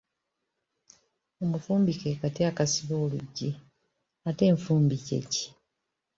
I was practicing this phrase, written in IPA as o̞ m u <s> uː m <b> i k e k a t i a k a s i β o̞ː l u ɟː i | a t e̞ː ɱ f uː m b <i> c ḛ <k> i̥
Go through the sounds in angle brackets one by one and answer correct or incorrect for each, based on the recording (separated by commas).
incorrect, correct, correct, incorrect